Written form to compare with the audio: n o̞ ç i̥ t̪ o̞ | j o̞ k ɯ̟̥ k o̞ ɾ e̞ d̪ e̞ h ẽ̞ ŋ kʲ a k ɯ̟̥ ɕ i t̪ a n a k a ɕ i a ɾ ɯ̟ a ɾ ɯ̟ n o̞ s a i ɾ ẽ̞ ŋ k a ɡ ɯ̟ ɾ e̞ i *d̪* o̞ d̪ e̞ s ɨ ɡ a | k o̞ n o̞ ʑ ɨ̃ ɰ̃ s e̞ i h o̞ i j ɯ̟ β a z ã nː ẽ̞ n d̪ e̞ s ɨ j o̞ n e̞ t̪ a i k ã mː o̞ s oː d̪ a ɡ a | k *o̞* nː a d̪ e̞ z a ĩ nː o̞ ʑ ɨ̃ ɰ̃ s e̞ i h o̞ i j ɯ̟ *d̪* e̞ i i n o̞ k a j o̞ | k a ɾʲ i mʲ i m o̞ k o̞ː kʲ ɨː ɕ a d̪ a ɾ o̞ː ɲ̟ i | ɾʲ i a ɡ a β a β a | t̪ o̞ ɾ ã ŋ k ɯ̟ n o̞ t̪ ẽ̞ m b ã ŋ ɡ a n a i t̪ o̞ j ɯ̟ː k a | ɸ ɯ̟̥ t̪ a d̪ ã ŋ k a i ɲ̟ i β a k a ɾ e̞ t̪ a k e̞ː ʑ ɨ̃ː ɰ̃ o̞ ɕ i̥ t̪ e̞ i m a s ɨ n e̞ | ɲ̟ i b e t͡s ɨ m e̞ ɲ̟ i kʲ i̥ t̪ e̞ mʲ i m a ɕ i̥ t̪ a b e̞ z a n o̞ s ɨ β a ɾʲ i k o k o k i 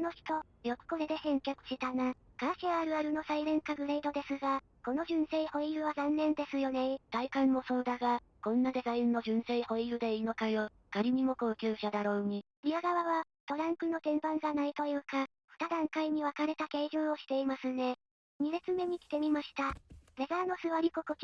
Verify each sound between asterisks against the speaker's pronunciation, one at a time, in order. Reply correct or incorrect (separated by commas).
correct, incorrect, correct